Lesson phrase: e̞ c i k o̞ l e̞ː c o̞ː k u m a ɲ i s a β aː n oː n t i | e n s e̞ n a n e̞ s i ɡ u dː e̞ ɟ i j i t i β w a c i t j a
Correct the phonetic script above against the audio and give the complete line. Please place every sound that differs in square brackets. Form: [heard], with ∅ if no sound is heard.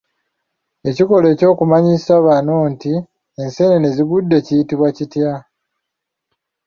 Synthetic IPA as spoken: e̞ c i k o̞ l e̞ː c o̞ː k u m a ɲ i s a β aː n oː n t i | e n s e̞ n [e] n e̞ [z] i ɡ u dː e̞ [c] i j i t i β w a c i t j a